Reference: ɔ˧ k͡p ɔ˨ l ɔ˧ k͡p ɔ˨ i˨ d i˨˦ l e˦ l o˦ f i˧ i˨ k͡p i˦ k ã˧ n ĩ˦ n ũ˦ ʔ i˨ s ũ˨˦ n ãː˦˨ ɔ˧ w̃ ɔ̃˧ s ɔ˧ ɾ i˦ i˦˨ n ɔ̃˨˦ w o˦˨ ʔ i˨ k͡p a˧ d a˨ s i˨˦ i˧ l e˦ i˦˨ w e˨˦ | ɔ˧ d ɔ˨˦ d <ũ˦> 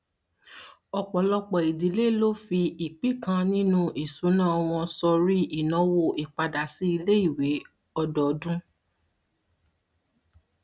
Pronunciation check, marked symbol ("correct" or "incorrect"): correct